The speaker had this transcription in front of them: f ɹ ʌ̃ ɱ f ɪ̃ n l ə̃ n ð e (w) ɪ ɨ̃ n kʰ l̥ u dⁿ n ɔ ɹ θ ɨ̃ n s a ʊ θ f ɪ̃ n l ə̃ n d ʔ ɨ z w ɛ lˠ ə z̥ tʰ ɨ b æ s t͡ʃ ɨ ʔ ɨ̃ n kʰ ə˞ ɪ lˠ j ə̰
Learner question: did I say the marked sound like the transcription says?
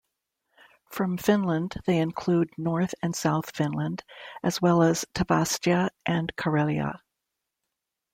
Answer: no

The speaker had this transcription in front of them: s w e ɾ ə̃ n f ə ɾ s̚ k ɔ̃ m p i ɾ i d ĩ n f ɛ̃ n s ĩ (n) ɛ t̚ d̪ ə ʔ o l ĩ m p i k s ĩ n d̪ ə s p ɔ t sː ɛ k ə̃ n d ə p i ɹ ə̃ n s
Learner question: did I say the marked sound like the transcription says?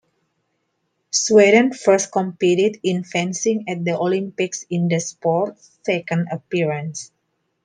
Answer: no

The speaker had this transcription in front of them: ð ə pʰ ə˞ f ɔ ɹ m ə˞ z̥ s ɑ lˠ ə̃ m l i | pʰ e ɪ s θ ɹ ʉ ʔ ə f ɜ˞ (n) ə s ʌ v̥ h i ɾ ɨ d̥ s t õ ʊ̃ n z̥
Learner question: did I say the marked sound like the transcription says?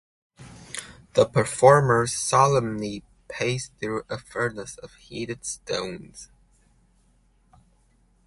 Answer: yes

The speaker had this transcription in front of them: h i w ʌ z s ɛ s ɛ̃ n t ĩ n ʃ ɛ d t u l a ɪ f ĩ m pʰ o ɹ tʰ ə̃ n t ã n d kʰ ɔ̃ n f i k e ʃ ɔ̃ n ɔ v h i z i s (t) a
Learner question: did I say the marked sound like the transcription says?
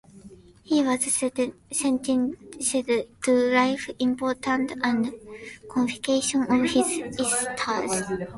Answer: no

